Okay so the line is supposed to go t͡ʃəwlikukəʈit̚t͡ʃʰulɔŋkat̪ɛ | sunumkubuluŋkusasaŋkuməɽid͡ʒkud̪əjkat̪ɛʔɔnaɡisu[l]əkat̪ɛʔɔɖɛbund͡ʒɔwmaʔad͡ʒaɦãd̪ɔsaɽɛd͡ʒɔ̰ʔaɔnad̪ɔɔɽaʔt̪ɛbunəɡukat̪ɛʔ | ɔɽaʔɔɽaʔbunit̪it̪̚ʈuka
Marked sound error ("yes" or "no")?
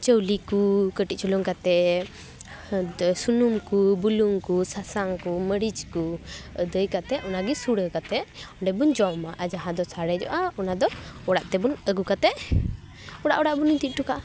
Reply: yes